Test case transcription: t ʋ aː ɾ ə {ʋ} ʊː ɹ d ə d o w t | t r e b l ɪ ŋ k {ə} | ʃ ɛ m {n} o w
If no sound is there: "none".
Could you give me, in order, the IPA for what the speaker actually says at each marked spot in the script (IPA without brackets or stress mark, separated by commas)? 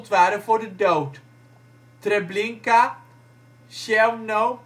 v, a, n